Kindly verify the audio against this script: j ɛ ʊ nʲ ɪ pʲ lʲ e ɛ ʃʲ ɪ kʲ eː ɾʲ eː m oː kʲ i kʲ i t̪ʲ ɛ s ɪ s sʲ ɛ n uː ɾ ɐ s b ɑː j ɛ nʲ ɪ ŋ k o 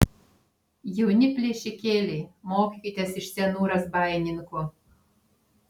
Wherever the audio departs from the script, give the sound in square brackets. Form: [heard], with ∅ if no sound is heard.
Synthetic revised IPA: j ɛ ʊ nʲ ɪ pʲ lʲ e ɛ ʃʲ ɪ kʲ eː [lʲ] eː m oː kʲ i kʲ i t̪ʲ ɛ s ɪ [ʃ] sʲ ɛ n uː ɾ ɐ s b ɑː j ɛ nʲ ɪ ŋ k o